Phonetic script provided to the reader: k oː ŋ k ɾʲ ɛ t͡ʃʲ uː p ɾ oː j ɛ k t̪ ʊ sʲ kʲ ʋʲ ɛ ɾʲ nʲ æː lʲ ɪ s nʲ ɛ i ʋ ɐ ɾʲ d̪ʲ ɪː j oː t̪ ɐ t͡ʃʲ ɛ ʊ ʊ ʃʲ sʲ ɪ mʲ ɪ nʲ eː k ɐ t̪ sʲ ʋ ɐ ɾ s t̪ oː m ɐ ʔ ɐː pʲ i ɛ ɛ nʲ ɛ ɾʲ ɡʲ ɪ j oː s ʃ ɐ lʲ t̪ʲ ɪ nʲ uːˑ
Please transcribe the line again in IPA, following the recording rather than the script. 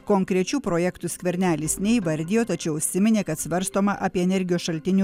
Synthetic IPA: k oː ŋ k ɾʲ ɛ t͡ʃʲ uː p ɾ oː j ɛ k t̪ ʊ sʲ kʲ ʋʲ ɛ ɾʲ nʲ æː lʲ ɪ s nʲ ɛ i ʋ ɐ ɾʲ d̪ʲ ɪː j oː t̪ ɐ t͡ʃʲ ɛ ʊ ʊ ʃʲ sʲ ɪ mʲ ɪ nʲ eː k ɐ t̪ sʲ ʋ ɐ ɾ s t̪ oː m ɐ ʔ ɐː pʲ i ɛ ɛ nʲ ɛ ɾʲ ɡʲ ɪ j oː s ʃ ɐ lʲ t̪ʲ ɪ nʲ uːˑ